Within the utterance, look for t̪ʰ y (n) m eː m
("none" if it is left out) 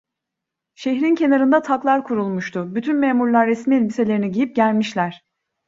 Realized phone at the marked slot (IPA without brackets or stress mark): n